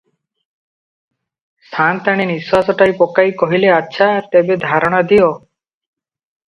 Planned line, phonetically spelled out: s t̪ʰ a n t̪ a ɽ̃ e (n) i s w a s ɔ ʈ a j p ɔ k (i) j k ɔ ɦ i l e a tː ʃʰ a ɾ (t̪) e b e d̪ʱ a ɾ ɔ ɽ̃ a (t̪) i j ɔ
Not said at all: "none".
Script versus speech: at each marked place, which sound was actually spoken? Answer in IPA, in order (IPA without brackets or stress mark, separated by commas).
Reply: n, a, t̪, d̪